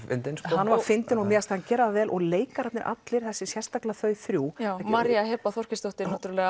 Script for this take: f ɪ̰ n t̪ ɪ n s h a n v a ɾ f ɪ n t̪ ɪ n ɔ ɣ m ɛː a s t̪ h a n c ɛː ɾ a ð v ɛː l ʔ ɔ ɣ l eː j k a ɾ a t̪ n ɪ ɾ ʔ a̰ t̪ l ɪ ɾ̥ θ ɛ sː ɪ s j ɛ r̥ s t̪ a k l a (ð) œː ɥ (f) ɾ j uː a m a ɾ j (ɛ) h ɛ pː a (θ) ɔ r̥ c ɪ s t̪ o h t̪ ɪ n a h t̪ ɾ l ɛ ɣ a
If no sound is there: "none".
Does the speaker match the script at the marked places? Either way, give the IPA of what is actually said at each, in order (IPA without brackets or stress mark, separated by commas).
θ, θ, a, θ